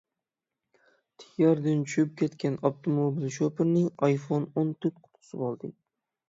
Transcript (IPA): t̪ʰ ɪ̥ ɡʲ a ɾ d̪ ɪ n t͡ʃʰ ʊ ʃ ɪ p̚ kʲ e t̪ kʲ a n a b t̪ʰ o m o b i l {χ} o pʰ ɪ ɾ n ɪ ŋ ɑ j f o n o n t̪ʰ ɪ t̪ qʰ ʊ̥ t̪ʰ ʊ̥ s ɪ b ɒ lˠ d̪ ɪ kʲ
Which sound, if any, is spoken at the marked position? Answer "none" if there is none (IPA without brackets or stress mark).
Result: ʃ